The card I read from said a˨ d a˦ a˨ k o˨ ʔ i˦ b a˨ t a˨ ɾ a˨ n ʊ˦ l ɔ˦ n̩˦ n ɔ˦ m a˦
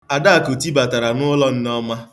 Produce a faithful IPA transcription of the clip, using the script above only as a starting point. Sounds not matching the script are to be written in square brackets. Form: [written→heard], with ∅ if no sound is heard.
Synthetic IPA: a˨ d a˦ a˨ k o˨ [ʔ→t] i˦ b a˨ t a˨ ɾ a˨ n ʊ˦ l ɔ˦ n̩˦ n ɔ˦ m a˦